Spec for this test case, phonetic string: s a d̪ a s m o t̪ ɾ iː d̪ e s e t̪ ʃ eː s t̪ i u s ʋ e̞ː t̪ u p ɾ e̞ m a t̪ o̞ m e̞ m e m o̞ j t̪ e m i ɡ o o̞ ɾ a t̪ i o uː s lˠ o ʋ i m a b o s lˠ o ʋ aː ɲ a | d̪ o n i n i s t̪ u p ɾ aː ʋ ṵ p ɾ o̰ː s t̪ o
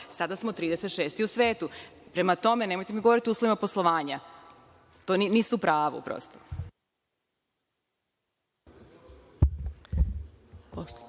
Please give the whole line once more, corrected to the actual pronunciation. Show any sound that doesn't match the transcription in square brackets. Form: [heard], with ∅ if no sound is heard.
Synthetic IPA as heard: s a d̪ a s m o t̪ ɾ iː d̪ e s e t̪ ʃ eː s t̪ i u s ʋ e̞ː t̪ u p ɾ e̞ m a t̪ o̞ m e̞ [n] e m o̞ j t̪ e m i ɡ o o̞ ɾ [i] t̪ i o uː s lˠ o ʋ i m a [p] o s lˠ o ʋ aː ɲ a | [t̪] o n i n i s t̪ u p ɾ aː ʋ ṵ p ɾ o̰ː s t̪ o